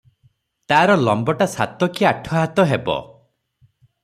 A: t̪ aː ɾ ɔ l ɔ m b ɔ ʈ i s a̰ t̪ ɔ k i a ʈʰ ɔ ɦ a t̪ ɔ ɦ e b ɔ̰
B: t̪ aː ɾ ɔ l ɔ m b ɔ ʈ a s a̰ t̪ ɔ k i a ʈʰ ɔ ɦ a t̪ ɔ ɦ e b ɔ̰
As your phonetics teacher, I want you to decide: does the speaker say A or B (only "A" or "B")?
B